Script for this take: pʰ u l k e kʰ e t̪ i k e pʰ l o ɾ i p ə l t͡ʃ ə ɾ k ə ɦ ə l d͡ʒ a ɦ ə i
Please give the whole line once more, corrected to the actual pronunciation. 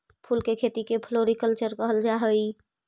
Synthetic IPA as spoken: pʰ u l k e kʰ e t̪ i k e pʰ l o ɾ i k ə l t͡ʃ ə ɾ k ə ɦ ə l d͡ʒ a ɦ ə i